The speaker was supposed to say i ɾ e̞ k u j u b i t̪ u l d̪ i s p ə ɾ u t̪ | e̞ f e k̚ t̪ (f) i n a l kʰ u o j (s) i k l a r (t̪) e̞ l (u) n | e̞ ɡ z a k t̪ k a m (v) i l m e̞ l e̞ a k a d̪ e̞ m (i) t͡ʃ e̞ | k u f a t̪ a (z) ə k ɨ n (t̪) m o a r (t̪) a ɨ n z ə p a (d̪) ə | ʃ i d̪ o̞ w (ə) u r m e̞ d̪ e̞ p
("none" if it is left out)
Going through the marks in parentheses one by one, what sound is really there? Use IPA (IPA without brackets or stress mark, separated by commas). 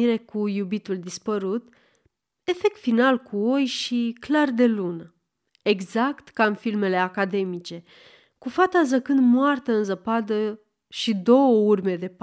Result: f, ʃ, d̪, u, f, i, z, d̪, t̪, d̪, ə